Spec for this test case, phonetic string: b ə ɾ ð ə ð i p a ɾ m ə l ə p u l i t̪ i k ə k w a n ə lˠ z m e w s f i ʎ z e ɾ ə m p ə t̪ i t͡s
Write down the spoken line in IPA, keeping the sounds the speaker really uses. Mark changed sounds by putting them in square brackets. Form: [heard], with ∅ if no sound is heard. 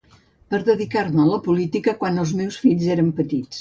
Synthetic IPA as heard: [p] ə ɾ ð ə ð i [k] a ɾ m ə l ə p u l i t̪ i k ə k w a n ə lˠ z m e w s f i ʎ z e ɾ ə m p ə t̪ i t͡s